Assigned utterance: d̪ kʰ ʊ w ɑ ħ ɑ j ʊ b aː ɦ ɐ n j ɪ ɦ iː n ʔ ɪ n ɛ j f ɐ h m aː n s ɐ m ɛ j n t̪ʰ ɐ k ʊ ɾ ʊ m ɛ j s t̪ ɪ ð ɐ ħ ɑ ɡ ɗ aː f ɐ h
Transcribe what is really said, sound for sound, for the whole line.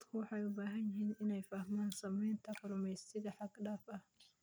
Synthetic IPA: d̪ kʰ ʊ w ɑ ħ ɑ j ʊ b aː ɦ ɐ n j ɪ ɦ iː n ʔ ɪ n ɛ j f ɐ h m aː n s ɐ m ɛ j n t̪ʰ ɐ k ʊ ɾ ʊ m ɛ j s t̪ ɪ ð ɐ ħ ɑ ɡ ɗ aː f ɐ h